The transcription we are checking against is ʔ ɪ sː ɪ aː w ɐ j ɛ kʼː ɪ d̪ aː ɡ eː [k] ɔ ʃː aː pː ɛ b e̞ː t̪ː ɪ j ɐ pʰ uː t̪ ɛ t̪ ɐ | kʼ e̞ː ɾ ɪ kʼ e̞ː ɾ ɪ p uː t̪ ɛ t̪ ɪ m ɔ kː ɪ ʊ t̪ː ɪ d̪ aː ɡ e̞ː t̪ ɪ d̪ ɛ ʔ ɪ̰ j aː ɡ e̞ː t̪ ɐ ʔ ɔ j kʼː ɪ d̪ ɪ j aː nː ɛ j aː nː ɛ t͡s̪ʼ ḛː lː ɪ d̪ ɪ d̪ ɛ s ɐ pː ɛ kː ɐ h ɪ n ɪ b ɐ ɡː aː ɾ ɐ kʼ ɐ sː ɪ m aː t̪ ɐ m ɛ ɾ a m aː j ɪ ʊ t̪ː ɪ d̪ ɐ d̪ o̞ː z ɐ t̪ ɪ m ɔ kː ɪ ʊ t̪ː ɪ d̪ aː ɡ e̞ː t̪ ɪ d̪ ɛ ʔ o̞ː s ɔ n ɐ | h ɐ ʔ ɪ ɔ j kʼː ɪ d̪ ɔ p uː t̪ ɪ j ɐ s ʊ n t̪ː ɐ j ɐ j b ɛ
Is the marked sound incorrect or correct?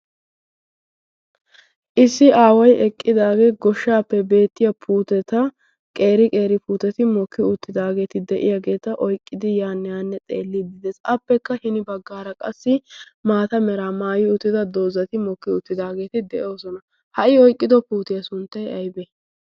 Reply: incorrect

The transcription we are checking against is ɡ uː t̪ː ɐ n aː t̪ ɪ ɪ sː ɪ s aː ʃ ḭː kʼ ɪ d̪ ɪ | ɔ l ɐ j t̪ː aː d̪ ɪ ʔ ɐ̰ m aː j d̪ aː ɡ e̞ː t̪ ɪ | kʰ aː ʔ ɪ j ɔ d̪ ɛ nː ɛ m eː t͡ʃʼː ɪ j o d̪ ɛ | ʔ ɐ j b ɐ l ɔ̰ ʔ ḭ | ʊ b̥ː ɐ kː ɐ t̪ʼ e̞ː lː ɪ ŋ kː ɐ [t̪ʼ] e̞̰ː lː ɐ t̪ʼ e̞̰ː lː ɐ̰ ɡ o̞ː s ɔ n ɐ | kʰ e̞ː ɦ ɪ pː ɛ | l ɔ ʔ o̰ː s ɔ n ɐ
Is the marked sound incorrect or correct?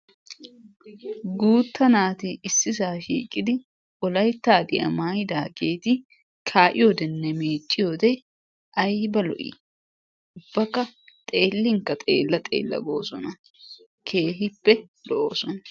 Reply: correct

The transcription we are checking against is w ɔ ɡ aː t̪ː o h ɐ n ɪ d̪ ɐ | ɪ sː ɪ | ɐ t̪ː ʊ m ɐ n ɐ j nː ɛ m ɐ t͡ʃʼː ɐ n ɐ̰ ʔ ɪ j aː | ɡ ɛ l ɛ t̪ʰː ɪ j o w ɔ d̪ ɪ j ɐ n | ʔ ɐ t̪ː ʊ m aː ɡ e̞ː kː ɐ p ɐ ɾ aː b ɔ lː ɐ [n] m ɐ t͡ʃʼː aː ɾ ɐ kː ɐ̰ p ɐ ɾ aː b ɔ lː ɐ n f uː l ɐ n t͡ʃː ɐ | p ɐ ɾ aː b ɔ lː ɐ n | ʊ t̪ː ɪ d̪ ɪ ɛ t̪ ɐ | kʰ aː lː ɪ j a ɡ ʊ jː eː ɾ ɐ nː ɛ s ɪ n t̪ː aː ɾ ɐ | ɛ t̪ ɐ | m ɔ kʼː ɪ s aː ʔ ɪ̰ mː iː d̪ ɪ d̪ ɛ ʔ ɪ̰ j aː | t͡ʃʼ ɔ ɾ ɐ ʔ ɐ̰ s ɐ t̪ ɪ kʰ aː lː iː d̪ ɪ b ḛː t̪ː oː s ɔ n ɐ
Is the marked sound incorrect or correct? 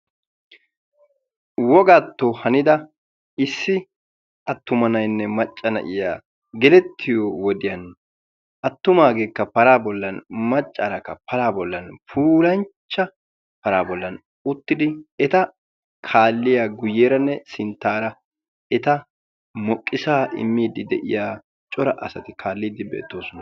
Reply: correct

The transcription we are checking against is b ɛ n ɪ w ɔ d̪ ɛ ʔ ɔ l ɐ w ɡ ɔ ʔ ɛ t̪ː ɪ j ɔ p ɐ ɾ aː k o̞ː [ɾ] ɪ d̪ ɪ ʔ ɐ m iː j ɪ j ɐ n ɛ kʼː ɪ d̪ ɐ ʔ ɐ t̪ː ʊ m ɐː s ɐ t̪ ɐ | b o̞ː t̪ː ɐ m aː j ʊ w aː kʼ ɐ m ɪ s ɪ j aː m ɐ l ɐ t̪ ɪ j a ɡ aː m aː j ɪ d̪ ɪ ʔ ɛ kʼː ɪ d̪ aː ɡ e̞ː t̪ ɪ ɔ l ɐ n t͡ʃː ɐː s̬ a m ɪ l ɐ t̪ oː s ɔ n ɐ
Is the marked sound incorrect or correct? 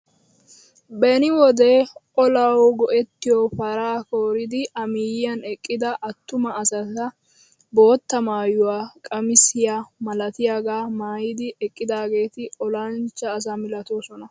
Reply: correct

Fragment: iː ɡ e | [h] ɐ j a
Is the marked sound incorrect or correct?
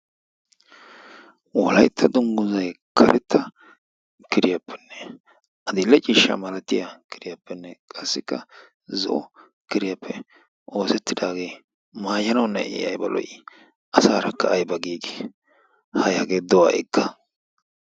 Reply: correct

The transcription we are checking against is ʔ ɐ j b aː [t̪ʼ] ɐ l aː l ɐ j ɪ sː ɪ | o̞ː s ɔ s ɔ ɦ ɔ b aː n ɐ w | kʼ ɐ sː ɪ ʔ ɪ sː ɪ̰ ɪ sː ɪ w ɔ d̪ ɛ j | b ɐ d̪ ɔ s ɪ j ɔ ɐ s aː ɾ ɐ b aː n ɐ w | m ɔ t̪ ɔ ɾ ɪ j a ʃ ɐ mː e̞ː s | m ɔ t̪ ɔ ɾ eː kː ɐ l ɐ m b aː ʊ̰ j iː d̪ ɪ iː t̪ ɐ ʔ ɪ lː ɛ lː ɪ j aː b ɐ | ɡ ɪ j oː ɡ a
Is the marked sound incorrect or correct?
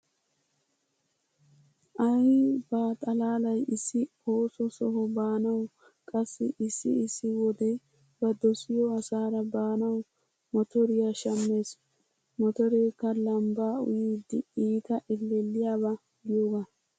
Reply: correct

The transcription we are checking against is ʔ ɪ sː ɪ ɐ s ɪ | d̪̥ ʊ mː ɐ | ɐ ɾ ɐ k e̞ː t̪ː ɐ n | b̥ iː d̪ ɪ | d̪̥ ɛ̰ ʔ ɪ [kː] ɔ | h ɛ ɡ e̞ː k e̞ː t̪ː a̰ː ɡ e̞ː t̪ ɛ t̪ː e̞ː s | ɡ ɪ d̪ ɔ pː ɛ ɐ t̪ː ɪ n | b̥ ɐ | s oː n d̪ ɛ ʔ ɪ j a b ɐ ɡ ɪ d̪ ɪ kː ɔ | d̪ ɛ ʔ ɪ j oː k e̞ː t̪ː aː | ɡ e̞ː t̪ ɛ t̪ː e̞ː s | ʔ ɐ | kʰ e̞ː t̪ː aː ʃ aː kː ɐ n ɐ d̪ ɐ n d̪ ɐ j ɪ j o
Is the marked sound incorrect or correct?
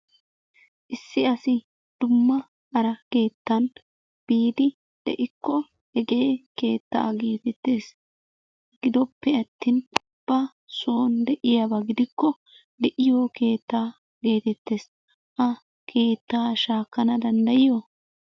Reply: correct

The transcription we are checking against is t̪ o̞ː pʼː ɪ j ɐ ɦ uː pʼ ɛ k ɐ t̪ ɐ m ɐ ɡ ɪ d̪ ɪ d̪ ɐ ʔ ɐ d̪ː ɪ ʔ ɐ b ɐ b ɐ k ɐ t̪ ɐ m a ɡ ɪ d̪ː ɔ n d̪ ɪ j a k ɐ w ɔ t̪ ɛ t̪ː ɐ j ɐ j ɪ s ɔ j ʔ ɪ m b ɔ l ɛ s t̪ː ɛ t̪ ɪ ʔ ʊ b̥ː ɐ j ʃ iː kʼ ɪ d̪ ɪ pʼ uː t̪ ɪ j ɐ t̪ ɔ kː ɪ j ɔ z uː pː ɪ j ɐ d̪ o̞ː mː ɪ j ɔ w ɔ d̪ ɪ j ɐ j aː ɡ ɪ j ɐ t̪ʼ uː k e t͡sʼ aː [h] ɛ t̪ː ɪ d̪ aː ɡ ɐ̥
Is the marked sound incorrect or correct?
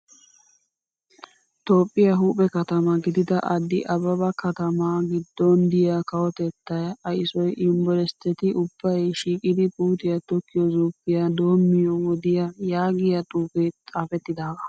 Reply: incorrect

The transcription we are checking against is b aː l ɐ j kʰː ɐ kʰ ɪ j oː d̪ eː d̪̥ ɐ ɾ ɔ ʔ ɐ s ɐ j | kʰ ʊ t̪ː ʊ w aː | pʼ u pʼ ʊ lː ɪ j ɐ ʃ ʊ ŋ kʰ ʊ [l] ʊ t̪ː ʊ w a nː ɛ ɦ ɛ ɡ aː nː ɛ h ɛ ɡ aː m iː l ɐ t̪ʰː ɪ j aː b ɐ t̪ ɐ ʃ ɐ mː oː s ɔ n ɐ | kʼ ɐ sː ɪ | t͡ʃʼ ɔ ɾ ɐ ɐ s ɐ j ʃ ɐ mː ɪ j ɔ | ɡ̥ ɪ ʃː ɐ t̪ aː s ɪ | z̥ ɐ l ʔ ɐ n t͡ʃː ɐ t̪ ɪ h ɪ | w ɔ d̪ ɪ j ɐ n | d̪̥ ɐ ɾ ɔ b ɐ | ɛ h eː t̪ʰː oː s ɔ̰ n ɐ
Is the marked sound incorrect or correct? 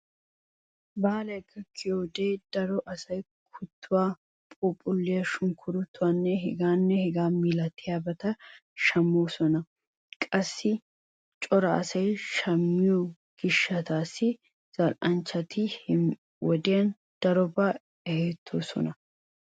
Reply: incorrect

